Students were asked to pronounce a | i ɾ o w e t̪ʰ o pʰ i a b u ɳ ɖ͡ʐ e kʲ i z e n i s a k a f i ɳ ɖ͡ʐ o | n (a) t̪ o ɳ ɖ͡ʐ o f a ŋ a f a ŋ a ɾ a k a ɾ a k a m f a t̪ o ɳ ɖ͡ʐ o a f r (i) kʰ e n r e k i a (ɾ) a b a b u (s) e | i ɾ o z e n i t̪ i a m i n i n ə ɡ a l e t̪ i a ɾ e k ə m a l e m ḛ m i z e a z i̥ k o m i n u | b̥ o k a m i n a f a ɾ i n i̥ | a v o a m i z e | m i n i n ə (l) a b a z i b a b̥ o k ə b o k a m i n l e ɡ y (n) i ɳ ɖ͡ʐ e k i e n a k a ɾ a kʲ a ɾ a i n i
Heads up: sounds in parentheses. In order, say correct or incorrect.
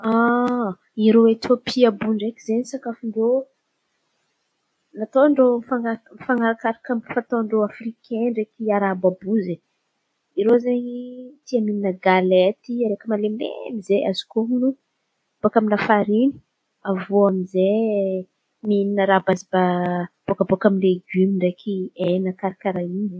correct, correct, correct, incorrect: z, incorrect: ɾ, incorrect: m

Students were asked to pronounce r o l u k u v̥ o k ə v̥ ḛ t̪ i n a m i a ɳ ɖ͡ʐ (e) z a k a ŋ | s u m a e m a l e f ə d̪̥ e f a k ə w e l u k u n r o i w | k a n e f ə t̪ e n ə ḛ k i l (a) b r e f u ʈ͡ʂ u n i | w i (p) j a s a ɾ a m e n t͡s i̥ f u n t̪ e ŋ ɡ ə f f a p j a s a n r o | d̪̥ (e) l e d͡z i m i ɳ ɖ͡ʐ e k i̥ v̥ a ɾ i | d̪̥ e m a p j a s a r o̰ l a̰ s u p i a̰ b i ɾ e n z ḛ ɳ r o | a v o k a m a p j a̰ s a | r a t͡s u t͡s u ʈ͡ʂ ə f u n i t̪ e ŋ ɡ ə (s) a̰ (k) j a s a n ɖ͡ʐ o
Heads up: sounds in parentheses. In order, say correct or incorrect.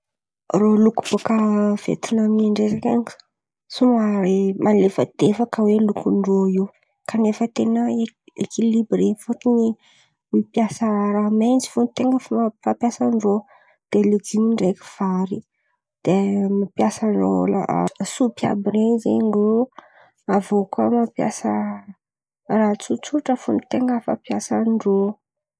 correct, incorrect: i, correct, correct, incorrect: f, incorrect: p

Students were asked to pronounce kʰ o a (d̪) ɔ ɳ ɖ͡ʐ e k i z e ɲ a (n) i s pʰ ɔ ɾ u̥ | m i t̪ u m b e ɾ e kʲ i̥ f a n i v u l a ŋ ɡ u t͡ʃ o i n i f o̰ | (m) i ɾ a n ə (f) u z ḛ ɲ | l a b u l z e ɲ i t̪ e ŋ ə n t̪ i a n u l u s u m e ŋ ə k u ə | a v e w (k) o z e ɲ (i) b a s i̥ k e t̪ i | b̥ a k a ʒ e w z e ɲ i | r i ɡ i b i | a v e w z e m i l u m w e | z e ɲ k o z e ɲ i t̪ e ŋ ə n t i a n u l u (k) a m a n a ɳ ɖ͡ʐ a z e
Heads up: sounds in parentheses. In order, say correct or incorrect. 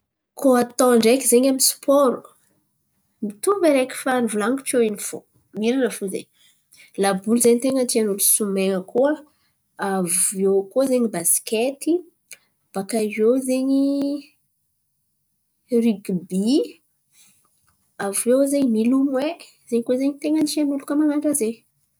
incorrect: t̪, incorrect: m, correct, correct, correct, correct, correct

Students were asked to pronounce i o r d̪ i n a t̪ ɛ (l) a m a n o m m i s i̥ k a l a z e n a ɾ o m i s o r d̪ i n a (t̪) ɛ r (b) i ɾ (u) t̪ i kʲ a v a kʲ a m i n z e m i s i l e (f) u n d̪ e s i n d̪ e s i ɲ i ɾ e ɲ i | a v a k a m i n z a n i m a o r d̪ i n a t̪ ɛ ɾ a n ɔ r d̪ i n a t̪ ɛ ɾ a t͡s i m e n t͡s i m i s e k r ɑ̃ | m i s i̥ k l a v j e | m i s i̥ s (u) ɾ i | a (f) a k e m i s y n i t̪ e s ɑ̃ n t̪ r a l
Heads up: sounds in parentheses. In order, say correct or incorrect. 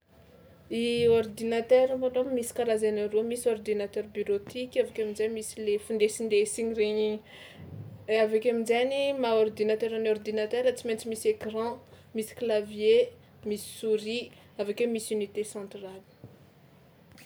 incorrect: ɾ, correct, correct, incorrect: o, correct, correct, incorrect: v

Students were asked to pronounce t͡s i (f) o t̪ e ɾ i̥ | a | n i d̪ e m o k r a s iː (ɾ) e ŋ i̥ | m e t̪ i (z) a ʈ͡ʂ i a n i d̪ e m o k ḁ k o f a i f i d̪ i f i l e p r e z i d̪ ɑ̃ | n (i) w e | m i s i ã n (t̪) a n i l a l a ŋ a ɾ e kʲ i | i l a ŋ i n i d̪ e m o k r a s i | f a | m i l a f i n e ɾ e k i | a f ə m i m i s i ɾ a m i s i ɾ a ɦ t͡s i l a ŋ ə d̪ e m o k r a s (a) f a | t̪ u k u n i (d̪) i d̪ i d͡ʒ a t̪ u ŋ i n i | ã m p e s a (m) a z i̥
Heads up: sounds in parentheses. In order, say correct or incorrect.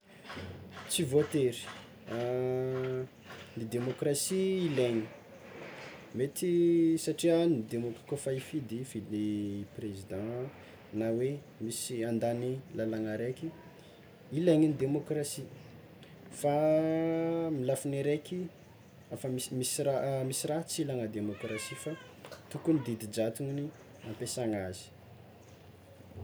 incorrect: v, incorrect: l, incorrect: s, incorrect: a, incorrect: d̪, incorrect: i, correct, incorrect: ŋ

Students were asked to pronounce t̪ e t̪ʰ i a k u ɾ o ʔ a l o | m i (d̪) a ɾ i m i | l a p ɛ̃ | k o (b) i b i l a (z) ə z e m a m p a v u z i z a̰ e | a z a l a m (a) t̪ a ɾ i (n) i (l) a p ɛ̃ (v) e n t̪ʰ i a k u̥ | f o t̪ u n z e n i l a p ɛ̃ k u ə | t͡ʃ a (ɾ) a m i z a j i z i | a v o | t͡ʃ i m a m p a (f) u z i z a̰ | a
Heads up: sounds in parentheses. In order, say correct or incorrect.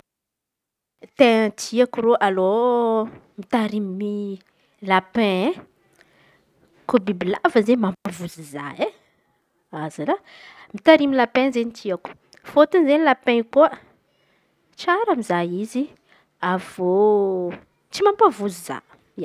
incorrect: t̪, correct, incorrect: v, incorrect: i, incorrect: m, correct, incorrect: z, correct, incorrect: v

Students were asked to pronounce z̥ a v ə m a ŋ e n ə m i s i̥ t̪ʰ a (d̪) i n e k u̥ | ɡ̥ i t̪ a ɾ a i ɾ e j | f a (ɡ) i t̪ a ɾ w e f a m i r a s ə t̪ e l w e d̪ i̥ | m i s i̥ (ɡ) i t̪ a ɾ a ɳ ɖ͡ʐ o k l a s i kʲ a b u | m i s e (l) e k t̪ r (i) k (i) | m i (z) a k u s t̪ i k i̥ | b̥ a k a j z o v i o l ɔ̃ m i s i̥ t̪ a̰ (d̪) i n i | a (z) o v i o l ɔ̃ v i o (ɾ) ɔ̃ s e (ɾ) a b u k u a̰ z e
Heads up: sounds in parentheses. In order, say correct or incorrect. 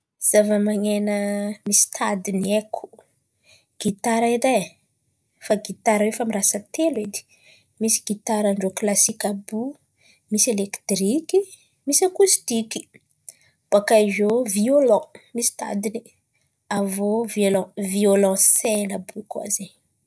correct, correct, correct, correct, correct, correct, incorrect: s, correct, incorrect: v, incorrect: l, incorrect: l

